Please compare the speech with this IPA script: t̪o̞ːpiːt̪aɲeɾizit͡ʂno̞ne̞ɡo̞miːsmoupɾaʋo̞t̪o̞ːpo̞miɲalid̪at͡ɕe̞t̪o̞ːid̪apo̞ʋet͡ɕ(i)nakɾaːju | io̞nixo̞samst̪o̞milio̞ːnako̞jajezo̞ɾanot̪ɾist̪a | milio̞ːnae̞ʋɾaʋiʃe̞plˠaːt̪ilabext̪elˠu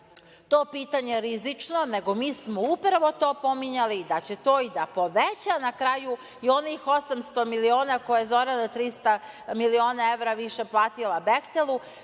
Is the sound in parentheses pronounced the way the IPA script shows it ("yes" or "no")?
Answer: no